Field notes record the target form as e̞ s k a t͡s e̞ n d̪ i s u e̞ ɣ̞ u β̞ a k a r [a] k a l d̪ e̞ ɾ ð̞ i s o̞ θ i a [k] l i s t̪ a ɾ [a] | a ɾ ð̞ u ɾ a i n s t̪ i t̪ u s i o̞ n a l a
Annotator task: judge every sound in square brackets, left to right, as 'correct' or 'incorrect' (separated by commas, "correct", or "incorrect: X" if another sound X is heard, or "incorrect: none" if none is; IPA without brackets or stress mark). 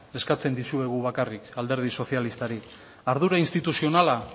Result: incorrect: i, incorrect: none, incorrect: i